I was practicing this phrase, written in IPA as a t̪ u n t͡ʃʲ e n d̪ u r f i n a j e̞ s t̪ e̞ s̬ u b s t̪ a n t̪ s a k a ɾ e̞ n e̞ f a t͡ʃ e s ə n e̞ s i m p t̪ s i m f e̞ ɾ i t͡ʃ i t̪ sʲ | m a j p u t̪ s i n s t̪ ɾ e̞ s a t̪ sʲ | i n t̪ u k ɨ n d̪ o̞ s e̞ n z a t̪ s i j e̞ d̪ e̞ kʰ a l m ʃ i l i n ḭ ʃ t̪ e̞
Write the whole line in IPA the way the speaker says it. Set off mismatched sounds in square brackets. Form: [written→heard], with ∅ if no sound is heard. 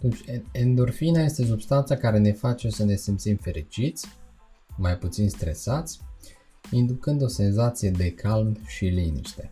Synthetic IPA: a t̪ u n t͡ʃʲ e n d̪ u r f i n a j e̞ s t̪ e̞ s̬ u b s t̪ a n t̪ s a k a ɾ e̞ n e̞ f a t͡ʃ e s ə n e̞ s i m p t̪ s i m f e̞ ɾ i t͡ʃ i t̪ sʲ | m a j p u t̪ s i n s t̪ ɾ e̞ s a t̪ sʲ | i n [t̪→d̪] u k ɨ n d̪ o̞ s e̞ n z a t̪ s i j e̞ d̪ e̞ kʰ a l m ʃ i l i n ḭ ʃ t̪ e̞